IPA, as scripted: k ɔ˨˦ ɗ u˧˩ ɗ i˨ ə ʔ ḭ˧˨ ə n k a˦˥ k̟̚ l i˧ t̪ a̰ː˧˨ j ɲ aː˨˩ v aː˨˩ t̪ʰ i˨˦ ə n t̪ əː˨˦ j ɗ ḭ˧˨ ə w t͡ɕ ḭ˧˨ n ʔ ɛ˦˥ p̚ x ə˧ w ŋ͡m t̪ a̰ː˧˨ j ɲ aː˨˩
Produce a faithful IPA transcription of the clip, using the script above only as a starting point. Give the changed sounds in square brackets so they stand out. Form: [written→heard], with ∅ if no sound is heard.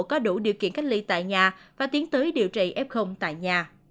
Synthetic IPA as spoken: k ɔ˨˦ ɗ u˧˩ ɗ i˨ ə [ʔ→k] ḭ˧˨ ə n k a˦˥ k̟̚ l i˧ t̪ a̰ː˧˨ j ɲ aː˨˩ v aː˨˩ [t̪ʰ→t̪] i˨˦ ə n t̪ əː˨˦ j ɗ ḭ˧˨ ə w t͡ɕ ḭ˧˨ [n→∅] ʔ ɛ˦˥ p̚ x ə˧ w ŋ͡m t̪ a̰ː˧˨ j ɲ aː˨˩